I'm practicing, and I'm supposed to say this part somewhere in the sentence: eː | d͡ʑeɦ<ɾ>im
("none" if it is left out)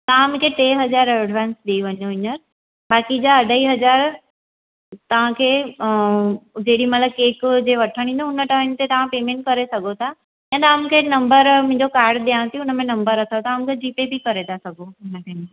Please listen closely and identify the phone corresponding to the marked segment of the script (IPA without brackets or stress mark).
ɽ